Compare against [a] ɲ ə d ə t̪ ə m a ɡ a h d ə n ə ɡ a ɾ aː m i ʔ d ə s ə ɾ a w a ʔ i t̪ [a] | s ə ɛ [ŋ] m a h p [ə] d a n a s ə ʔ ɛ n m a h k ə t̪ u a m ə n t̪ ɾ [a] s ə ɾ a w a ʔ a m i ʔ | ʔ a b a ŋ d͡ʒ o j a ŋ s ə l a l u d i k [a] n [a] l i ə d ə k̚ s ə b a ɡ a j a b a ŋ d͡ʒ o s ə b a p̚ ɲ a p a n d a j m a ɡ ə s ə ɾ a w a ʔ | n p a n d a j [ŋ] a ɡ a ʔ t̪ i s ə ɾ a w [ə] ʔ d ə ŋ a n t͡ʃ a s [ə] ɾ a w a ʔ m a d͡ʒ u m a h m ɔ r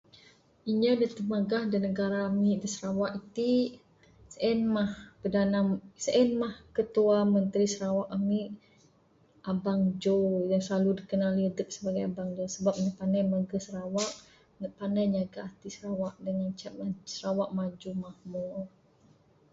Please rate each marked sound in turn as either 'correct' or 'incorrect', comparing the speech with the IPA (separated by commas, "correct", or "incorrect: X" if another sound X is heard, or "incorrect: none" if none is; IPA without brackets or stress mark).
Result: incorrect: i, incorrect: i, incorrect: n, correct, incorrect: i, incorrect: ə, correct, incorrect: ɲ, incorrect: a, correct